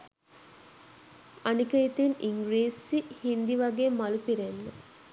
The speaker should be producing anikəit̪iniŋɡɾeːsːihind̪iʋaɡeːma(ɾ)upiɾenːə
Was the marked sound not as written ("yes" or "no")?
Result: yes